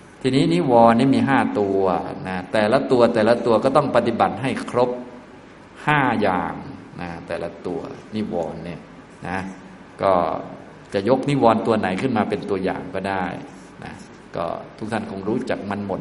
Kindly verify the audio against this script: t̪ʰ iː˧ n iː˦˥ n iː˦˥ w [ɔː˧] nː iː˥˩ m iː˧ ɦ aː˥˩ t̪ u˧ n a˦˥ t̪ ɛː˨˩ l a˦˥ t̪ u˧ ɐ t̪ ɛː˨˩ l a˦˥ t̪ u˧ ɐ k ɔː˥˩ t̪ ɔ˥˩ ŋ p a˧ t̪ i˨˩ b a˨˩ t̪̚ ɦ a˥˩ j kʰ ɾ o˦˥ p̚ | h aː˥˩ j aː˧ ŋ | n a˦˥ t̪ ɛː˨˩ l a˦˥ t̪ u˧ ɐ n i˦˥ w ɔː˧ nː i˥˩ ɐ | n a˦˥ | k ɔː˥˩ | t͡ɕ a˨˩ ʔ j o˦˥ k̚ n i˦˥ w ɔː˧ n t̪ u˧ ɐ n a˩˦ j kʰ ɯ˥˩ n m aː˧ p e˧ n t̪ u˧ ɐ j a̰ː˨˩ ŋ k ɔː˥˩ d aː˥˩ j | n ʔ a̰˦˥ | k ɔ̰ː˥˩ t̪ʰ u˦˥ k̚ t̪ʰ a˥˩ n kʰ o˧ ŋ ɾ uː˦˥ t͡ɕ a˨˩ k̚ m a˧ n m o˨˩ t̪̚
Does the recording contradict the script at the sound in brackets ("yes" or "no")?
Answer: no